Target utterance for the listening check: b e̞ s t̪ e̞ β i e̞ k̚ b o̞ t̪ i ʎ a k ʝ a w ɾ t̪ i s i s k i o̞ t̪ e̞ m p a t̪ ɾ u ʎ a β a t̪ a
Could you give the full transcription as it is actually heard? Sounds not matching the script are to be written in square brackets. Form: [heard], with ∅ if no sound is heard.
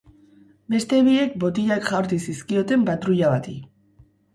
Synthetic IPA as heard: b e̞ s t̪ e̞ β i e̞ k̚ b o̞ t̪ i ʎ a k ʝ a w ɾ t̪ i s i s k i o̞ t̪ e̞ m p a t̪ ɾ u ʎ a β a t̪ [i]